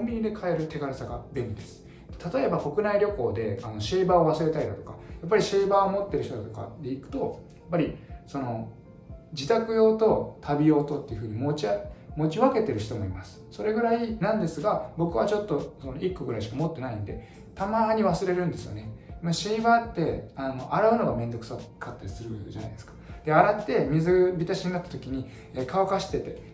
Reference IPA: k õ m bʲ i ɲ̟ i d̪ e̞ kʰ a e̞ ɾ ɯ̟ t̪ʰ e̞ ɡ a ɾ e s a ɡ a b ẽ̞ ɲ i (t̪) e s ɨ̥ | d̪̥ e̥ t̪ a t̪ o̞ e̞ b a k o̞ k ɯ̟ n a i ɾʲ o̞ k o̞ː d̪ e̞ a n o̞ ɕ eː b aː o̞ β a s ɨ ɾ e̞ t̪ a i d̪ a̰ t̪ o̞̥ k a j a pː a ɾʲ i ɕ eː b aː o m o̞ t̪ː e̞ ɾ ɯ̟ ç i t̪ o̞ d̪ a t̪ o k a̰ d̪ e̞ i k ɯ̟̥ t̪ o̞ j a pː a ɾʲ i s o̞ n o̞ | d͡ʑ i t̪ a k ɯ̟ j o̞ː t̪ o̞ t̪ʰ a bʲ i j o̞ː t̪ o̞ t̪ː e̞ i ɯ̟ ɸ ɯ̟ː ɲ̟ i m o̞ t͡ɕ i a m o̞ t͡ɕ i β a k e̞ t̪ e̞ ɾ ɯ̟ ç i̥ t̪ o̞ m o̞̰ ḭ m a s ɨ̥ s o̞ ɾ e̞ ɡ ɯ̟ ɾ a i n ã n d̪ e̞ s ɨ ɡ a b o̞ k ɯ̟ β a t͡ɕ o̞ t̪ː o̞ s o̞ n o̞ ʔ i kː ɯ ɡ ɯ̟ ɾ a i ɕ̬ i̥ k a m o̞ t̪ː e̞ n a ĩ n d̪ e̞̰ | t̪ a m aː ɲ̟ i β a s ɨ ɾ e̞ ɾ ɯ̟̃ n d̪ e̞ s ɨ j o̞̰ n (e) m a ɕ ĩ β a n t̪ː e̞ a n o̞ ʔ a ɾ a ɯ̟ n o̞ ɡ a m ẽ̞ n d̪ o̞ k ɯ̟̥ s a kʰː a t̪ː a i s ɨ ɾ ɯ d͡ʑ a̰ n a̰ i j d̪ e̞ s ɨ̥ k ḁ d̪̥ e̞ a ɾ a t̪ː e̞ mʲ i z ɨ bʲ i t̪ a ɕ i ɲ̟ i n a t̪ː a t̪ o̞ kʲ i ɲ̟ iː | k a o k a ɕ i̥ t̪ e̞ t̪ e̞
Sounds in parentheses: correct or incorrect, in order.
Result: incorrect: d̪, correct

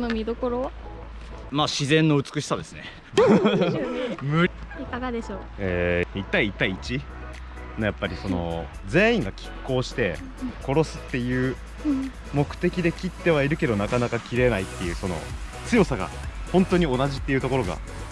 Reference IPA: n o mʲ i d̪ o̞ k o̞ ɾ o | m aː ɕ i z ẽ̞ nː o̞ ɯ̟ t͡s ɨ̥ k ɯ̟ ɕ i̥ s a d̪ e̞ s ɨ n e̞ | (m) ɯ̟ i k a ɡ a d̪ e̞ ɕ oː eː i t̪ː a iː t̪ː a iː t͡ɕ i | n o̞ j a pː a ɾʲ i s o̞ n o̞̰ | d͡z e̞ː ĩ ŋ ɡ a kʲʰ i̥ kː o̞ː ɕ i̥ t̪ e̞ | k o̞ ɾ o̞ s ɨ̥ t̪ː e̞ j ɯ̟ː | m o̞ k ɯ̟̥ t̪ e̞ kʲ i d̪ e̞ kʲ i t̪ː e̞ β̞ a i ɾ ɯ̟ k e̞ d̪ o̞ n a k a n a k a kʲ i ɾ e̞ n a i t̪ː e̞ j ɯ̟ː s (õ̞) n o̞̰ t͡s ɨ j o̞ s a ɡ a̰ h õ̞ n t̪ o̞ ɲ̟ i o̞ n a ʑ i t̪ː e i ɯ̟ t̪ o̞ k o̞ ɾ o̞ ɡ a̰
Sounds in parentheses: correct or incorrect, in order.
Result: correct, incorrect: o̞

